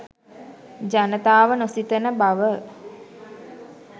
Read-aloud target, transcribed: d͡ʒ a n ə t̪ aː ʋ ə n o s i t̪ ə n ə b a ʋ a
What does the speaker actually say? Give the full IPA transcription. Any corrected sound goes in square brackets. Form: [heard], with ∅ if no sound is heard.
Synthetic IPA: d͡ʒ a n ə t̪ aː ʋ ə n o s i t̪ ə n ə b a ʋ [ə]